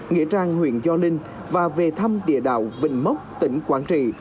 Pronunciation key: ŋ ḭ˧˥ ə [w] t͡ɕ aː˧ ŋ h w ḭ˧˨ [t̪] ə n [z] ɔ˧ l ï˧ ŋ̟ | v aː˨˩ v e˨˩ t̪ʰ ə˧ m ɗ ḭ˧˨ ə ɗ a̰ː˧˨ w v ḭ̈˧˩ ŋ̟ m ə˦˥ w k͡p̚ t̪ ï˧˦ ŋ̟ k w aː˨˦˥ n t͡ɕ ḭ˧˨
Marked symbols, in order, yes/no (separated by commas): no, no, yes